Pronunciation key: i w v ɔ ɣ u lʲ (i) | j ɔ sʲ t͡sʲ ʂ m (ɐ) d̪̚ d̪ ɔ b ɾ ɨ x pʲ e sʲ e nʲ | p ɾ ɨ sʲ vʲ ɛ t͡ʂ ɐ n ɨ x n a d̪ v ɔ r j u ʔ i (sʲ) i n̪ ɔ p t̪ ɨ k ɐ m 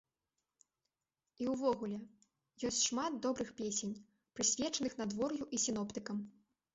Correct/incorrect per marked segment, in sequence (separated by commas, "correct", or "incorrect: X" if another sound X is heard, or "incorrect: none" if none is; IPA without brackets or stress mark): incorrect: ɛ, incorrect: a, correct